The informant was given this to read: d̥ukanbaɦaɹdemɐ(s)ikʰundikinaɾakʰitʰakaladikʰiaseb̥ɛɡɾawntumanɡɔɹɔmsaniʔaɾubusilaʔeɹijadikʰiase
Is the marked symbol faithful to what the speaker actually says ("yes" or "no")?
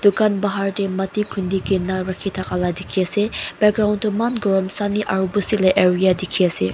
no